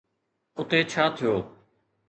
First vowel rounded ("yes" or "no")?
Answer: yes